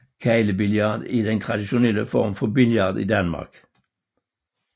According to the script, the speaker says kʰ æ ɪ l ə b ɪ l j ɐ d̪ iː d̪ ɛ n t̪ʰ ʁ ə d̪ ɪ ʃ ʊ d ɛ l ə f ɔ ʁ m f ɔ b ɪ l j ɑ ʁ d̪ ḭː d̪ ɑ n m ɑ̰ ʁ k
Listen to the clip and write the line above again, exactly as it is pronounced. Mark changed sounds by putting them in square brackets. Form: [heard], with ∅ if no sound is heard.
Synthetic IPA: kʰ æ ɪ l ə b ɪ l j [ɑ] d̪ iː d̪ ɛ n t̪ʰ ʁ [ɑ] d̪ ɪ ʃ ʊ [n] ɛ l ə f ɔ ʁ m f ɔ b ɪ l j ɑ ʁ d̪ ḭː d̪ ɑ n m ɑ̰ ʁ k